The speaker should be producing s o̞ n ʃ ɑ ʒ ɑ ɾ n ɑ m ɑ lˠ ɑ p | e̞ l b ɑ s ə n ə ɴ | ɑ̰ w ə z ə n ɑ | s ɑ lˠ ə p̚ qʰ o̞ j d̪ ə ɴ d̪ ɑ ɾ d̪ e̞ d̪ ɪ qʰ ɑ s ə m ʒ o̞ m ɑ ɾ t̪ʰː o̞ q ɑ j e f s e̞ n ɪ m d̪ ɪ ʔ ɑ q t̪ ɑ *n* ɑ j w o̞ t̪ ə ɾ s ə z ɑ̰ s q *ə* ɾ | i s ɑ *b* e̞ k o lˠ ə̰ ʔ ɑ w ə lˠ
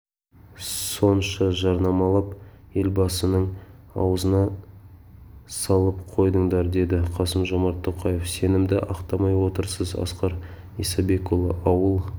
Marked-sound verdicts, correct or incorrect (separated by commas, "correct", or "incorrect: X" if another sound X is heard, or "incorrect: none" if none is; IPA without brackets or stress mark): incorrect: m, incorrect: ɑ, correct